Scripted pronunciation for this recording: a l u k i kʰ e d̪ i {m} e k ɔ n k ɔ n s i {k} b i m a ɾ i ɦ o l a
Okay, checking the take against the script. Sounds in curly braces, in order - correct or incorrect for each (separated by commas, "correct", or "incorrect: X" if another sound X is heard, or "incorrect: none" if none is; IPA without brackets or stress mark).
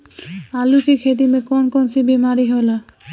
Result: correct, incorrect: none